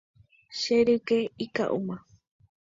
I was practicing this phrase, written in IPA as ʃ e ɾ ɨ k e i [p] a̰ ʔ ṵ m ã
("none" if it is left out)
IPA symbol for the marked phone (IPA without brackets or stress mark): k